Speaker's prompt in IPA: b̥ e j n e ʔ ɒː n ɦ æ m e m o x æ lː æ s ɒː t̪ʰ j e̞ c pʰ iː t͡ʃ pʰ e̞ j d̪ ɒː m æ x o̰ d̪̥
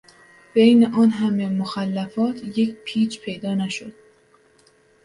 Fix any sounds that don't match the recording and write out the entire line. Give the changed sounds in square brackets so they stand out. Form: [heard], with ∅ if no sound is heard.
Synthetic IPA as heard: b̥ e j n e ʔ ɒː n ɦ æ m e m o x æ lː æ [f] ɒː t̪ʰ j e̞ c pʰ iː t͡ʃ pʰ e̞ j d̪ ɒː [n] æ [ʃ] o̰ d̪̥